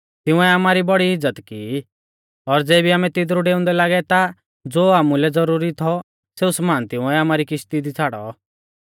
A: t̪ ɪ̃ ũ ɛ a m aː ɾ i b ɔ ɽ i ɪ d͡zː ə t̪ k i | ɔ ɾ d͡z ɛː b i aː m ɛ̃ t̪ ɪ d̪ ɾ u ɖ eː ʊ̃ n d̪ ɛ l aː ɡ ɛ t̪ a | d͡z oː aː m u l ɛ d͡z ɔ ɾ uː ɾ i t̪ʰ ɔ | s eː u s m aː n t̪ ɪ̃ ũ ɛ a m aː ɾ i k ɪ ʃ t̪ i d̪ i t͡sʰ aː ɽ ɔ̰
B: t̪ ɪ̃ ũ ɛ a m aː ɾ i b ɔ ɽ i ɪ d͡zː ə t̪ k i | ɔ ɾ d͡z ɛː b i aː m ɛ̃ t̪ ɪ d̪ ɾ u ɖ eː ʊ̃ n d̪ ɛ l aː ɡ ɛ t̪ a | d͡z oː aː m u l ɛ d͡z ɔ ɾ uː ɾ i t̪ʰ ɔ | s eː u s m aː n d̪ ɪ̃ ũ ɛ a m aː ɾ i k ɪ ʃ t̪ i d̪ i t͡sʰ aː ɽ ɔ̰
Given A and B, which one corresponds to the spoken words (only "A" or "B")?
A